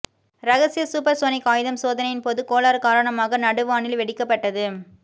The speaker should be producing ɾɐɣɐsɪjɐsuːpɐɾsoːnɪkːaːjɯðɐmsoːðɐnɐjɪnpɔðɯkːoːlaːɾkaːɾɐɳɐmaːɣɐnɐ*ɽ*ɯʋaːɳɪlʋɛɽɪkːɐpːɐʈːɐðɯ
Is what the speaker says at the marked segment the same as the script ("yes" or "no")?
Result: yes